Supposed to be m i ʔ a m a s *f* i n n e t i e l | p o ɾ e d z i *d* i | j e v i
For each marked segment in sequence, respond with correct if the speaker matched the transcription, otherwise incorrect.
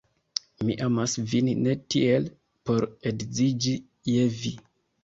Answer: incorrect: v, incorrect: d͡ʒ

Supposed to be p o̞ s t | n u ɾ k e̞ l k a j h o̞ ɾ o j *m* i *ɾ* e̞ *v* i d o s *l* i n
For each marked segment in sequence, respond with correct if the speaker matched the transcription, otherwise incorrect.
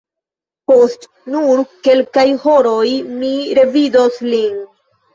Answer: correct, correct, correct, correct

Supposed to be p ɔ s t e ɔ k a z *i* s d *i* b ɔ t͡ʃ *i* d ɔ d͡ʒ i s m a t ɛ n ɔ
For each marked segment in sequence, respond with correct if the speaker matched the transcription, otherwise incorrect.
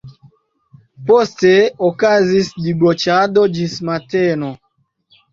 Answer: correct, correct, incorrect: a

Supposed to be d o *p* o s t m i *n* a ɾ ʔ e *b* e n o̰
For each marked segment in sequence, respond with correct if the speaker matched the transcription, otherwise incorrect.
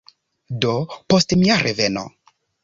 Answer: correct, incorrect: none, incorrect: v

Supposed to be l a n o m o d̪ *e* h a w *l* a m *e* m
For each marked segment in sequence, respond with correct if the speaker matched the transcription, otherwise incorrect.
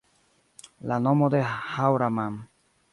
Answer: correct, incorrect: ɾ, incorrect: a

